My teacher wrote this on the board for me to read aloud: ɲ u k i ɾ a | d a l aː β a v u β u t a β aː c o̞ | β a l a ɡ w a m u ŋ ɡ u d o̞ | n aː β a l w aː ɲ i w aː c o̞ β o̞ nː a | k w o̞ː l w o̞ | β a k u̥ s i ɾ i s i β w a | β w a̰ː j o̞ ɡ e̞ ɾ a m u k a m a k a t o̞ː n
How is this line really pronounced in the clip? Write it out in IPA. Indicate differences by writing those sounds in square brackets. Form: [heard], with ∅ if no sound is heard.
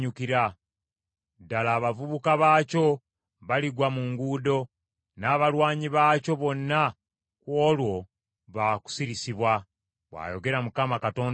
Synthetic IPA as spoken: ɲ u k i ɾ a | d a l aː β a v u β u [k] a β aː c o̞ | β a l [i] ɡ w a m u ŋ ɡ u d o̞ | n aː β a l w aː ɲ i [β] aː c o̞ β o̞ nː a | k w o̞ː l w o̞ | β a k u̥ s i ɾ i s i β w a | β w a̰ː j o̞ ɡ e̞ ɾ a m u k a m a k a t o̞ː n